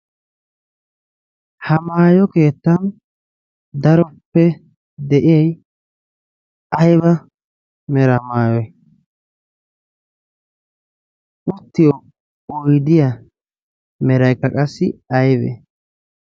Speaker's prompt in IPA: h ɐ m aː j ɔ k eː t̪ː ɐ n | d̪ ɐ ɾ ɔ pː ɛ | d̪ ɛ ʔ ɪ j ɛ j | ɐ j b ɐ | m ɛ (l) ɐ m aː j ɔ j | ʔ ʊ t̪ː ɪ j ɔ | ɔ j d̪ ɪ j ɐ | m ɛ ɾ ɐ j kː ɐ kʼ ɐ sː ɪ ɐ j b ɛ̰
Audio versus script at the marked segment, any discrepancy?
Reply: yes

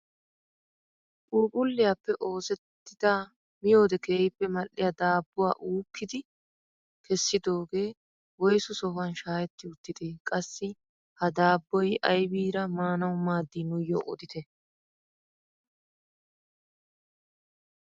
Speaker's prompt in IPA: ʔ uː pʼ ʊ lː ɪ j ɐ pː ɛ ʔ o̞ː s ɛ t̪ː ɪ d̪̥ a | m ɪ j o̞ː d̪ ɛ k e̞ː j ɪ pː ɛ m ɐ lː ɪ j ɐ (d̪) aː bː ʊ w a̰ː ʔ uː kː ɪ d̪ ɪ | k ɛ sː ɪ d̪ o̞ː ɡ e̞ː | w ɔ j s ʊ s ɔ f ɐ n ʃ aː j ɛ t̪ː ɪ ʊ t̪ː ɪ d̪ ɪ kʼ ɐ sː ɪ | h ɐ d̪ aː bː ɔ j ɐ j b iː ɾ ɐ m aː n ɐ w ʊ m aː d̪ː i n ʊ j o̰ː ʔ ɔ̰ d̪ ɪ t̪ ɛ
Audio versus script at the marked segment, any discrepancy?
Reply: no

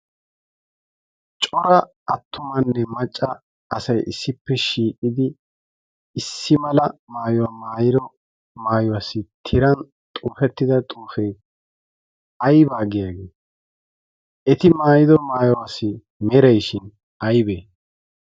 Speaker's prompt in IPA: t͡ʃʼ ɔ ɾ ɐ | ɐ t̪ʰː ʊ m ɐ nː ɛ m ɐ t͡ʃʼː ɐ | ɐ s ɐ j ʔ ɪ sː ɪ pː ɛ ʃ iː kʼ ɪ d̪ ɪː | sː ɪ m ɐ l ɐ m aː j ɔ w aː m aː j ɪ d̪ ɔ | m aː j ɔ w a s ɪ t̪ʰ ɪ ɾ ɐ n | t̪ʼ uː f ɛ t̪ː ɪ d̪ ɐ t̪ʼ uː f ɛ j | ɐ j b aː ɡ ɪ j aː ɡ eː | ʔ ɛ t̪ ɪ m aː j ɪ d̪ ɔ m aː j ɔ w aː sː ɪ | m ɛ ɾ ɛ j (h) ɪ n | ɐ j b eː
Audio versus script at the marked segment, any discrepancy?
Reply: yes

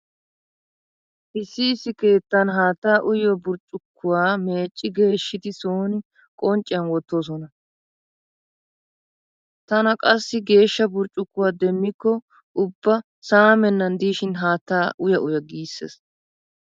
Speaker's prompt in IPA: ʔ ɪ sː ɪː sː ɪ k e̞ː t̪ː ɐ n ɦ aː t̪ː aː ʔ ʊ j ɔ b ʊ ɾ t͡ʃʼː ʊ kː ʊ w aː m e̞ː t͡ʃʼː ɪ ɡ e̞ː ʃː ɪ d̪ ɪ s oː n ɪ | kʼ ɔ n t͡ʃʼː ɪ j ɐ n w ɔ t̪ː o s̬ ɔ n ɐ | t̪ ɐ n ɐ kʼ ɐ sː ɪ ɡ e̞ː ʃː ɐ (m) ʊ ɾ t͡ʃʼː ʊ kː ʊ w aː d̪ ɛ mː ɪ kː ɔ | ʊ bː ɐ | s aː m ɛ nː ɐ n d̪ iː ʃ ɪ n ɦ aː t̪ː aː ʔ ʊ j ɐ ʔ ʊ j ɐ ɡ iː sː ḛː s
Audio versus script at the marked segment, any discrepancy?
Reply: yes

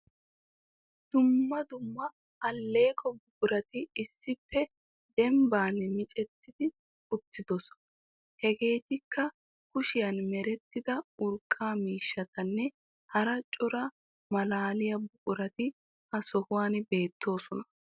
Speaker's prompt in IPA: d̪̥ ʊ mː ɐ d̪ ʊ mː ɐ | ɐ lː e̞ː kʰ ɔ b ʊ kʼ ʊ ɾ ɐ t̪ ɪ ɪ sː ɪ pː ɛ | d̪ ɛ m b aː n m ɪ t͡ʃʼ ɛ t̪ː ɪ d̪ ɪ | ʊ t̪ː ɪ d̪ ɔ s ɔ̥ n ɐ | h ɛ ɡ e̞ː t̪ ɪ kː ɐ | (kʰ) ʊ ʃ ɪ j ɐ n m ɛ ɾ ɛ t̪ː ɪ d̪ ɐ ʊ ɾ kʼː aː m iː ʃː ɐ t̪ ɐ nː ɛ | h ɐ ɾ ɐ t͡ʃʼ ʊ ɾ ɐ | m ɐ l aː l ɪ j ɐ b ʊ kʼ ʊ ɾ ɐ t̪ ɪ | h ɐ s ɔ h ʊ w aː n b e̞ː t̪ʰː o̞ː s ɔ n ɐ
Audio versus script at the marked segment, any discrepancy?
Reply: yes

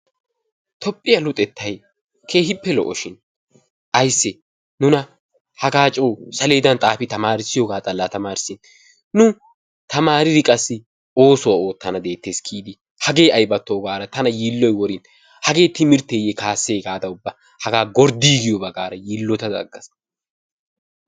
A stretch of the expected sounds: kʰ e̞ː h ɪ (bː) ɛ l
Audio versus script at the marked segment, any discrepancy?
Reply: yes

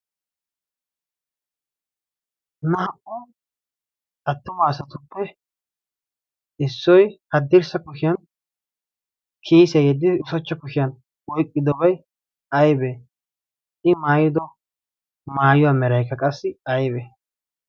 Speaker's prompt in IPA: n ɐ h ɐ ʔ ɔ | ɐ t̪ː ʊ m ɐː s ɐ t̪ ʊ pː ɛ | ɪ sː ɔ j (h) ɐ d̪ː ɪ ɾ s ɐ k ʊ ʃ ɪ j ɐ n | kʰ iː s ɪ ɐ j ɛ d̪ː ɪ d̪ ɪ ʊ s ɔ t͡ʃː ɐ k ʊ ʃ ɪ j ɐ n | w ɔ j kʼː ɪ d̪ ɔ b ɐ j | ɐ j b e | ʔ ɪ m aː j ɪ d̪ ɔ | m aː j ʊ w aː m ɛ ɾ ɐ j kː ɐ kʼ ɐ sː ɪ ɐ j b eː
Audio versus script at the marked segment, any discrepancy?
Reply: no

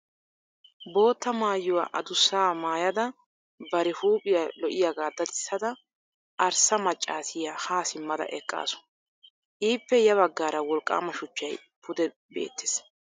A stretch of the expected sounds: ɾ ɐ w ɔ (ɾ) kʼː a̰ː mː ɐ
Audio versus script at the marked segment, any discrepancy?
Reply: yes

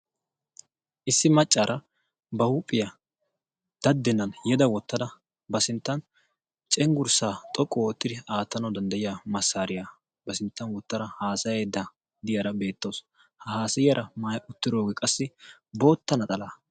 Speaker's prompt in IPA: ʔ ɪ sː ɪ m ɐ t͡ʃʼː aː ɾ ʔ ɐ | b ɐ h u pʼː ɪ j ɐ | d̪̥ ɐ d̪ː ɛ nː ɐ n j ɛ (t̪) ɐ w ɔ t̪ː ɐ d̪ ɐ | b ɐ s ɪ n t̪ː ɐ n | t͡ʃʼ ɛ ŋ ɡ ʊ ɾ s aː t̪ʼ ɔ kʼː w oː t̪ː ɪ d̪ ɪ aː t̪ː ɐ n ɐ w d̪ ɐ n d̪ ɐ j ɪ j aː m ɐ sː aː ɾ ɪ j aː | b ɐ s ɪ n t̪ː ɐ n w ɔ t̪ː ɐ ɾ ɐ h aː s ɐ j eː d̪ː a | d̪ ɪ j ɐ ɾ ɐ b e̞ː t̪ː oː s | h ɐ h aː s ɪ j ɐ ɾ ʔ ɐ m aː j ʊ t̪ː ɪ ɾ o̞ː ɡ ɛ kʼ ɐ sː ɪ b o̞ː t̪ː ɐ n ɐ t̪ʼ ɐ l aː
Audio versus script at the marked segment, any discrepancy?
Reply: yes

